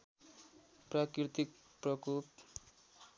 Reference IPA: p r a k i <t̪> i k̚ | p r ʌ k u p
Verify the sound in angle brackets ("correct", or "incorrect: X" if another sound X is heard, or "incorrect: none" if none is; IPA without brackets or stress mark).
correct